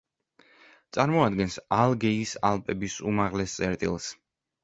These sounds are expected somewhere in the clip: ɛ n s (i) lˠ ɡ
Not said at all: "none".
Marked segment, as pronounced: a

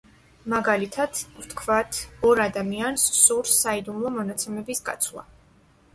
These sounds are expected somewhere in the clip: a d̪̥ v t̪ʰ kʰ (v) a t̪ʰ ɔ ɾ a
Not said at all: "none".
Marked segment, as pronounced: v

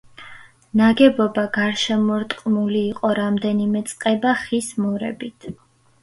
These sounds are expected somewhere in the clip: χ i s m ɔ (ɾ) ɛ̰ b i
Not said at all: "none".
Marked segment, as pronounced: ɾ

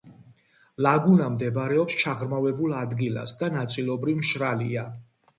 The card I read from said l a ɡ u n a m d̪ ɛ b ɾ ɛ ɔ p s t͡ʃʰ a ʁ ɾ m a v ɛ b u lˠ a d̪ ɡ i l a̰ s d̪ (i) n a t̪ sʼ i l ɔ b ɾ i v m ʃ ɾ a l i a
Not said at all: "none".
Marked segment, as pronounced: a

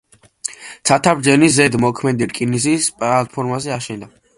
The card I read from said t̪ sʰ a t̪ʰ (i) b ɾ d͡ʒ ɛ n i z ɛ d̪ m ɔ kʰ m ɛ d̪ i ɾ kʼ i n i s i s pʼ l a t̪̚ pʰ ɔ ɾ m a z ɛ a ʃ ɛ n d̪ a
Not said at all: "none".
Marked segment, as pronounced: a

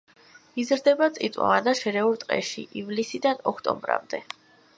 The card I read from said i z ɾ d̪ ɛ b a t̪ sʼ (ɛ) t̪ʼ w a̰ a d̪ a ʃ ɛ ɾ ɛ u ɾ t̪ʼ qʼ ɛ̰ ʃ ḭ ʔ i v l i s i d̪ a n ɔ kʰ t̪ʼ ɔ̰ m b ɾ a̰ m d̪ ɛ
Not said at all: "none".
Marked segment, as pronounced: i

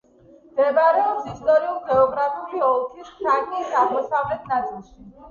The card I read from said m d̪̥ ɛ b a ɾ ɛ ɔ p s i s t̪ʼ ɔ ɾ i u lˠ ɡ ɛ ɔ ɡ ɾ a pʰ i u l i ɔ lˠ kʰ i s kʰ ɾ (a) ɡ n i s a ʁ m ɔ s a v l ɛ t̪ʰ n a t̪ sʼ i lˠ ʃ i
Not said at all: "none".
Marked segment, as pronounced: a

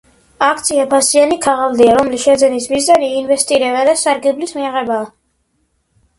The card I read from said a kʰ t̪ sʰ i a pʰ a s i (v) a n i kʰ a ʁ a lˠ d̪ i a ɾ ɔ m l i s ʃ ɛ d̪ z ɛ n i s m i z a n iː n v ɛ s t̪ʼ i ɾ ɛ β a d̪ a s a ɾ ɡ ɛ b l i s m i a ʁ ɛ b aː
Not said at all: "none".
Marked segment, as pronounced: none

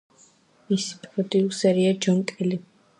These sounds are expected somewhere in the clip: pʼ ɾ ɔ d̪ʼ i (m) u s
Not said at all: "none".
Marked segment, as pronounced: none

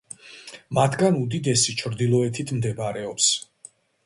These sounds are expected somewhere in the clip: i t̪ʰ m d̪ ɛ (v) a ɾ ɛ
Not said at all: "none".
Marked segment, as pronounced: b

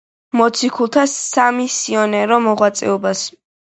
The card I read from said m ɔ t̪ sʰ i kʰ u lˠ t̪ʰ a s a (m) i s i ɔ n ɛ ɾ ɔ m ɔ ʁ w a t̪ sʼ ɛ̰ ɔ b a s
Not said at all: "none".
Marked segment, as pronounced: m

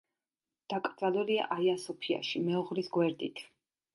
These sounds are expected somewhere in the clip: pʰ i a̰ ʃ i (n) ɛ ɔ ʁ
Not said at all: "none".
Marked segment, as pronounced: m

